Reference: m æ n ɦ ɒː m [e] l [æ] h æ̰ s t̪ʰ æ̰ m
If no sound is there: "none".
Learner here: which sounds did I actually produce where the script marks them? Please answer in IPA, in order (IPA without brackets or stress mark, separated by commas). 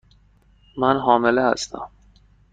e, e